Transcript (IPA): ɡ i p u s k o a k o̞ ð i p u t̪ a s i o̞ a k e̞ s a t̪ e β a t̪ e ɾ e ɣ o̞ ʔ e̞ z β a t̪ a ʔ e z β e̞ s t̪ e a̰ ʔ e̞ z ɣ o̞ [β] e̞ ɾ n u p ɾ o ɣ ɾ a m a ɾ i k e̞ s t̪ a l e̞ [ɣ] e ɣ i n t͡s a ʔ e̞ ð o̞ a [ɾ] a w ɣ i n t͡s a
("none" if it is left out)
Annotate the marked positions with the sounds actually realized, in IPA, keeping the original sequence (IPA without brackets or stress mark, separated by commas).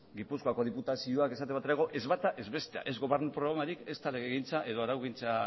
β, ɣ, ɾ